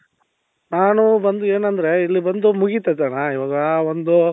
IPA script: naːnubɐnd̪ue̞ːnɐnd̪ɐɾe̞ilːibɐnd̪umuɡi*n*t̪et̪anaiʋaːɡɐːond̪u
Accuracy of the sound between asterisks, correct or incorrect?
incorrect